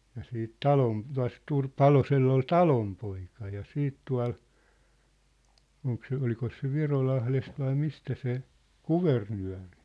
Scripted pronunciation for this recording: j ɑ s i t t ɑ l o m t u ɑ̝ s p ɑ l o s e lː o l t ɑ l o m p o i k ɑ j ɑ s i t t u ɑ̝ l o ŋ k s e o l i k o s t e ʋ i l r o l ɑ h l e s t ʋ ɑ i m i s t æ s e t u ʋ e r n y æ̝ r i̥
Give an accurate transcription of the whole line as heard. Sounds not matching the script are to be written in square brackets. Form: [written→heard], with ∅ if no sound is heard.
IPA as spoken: j ɑ s [i→iː] t t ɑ l o m t u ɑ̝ s p ɑ l o s e lː o l t ɑ l o m p o i k ɑ j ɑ s [i→iː] t t u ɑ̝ l o ŋ k s e o l i k o s [t→s] e ʋ i [l→∅] r o l ɑ h l e s t ʋ ɑ i m i s t æ s e [t→k] u ʋ e r n y æ̝ r i̥

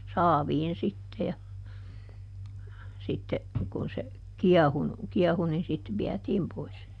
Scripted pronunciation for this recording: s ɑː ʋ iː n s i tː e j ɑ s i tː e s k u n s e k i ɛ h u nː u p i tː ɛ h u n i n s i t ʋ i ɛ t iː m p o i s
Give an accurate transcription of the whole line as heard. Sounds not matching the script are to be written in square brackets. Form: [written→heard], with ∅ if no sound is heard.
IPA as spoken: s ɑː ʋ iː n s i tː e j ɑ s i tː e [s→∅] k u n s e k i ɛ h u [nː→n] u [p→k] i [tː→∅] ɛ h u n i n s i t ʋ i ɛ t iː m p o i s

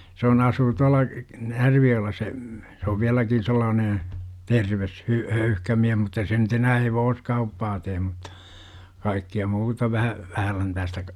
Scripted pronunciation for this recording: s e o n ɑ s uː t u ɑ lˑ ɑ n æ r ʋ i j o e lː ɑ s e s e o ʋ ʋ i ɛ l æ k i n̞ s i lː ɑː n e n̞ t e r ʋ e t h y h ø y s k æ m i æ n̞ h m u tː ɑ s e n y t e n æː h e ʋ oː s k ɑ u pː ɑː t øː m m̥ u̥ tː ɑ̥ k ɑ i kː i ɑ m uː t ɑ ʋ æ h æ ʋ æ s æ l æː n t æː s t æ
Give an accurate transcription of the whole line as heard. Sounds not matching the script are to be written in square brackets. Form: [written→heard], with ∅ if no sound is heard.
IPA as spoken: s e o n ɑ s uː t u ɑ lˑ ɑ n æ r ʋ i j o e lː ɑ s e s e o ʋ ʋ i [ɛ→æ] l æ k i n̞ s [i→e] lː ɑː n e n̞ t e r ʋ e [t→s] h y h ø y [s→h] k æ m i æ [n̞→∅] h m u tː ɑ s e n y t e n æː h e ʋ oː s k ɑ u pː ɑː t [øː→eː] m m̥ u̥ tː ɑ̥ k ɑ i kː i ɑ m uː t ɑ ʋ æ h æ ʋ æ [s→h] æ l [æː→æ] n t æː s t æ

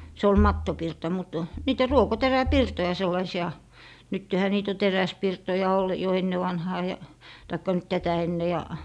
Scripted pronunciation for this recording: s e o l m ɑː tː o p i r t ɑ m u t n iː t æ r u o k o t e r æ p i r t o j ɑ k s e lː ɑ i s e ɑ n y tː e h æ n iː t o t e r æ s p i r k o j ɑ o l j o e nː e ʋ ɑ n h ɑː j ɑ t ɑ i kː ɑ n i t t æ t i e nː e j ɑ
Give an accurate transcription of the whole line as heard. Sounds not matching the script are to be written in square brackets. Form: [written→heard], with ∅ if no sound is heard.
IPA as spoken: s e o l m [ɑː→ɑ] tː o p i r t ɑ m u t n iː t æ r u o k o t e r æ p i r t o j ɑ [k→∅] s e lː ɑ i s [e→i] ɑ n y tː e h æ n iː t o t e r æ s p i r [k→t] o j ɑ o l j o e nː e ʋ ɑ n h ɑː j ɑ t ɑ i kː ɑ n [i→y] t t æ t [i→æ] e nː e j ɑ

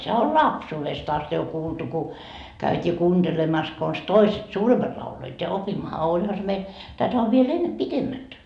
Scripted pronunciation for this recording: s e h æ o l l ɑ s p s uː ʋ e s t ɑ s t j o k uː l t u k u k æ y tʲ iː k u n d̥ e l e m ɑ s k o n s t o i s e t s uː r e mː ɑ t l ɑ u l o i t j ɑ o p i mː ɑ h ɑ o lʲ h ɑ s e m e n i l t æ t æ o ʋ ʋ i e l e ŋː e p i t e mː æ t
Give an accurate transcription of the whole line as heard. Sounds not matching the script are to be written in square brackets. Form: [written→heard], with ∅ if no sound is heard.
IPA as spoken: s e h æ o l l ɑ [s→∅] p s uː ʋ e s t ɑ s t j o k uː l t u k u k æ y tʲ iː k [u→uː] n d̥ e l e m ɑ s k o n s t o i s e t s uː r e mː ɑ t l ɑ u l o i t j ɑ o p i mː ɑ h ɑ o lʲ h ɑ s e m e [n→∅] i l t æ t æ o ʋ ʋ i e l e [ŋː→nː] e p i t e mː æ t

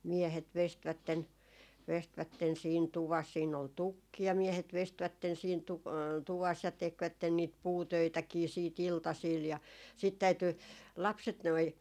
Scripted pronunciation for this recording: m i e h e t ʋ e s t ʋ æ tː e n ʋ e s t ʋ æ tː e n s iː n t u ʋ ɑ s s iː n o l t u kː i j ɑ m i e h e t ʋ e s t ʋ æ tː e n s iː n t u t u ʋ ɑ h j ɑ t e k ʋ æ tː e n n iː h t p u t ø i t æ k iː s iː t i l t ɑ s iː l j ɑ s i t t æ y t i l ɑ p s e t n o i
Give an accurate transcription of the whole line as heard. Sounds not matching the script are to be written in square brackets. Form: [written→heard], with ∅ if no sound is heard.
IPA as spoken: m i e h e t ʋ e s t ʋ æ tː e n ʋ e s t ʋ æ tː e n s iː n t u ʋ ɑ s s iː n o l t u kː i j ɑ m i e h e t ʋ e s t ʋ æ tː e n s iː n t u t u ʋ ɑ [h→s] j ɑ t e k ʋ æ tː e n n iː [h→∅] t p [u→uː] t ø i t æ k iː s iː t i l t ɑ s iː l j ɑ s i t t æ y t [i→y] l ɑ p s e t n o i

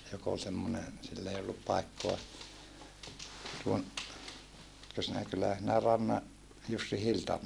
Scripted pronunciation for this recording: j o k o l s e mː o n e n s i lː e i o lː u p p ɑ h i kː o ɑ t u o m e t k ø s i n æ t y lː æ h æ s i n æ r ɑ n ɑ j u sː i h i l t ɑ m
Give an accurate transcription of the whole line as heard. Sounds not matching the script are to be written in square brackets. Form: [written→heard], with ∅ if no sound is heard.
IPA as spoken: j o k o l s e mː o n e n s i lː e i o lː u p p ɑ [h→∅] i kː o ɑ t u o [m→n] e t k ø s i n æ [t→k] y lː æ h æ s i n æ r ɑ [n→nː] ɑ j u sː i h i l t ɑ m

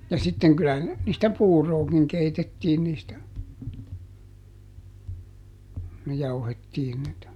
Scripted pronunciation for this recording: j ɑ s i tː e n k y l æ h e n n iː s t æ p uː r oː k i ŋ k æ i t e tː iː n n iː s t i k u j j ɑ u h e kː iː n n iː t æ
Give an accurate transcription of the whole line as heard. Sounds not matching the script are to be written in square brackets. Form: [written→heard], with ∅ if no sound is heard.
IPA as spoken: j ɑ s i tː e [n→ŋ] k y l æ h [e→æ] n n iː s t æ p uː r oː k i ŋ k [æ→e] i t e tː iː n n iː s t [i→æ] k u j j ɑ u h e [kː→tː] iː n n iː t æ

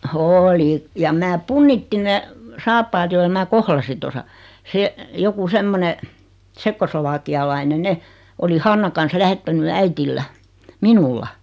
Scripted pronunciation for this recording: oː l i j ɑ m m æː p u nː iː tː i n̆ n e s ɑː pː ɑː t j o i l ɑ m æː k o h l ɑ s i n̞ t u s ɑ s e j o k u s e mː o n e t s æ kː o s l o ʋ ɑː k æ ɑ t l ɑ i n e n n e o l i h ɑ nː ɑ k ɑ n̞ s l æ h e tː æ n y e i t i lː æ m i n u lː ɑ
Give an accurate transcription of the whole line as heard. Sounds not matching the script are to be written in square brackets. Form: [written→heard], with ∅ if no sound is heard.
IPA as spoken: oː l i j ɑ m m æː p u nː [iː→i] tː i n̆ n e s ɑː pː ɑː t j o i l ɑ m æː k o h l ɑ s i n̞ t [u→o] s ɑ s e j o k u s e mː o n e t s [æ→e] kː o s l o ʋ ɑː k [æ→i] ɑ [t→∅] l ɑ i n e n n e o l i h ɑ nː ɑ k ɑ n̞ s l æ h e tː æ n y [e→æ] i t i lː æ m i n u lː ɑ

